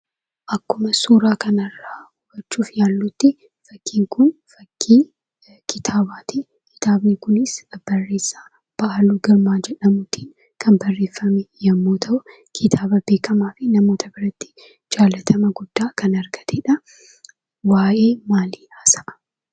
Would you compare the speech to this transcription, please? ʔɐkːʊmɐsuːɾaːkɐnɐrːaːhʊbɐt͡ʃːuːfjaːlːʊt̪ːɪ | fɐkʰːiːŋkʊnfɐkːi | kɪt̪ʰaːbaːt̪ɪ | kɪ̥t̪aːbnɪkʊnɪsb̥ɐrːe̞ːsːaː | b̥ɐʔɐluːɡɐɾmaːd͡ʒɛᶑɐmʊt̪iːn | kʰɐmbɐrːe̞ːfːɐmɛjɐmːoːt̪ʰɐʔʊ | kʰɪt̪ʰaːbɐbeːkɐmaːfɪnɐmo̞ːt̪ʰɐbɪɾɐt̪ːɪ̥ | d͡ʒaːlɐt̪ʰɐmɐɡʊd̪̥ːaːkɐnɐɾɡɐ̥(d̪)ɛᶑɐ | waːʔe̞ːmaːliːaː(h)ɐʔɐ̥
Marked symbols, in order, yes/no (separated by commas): no, no